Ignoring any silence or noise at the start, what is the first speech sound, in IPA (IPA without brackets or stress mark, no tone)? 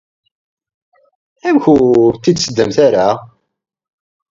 æ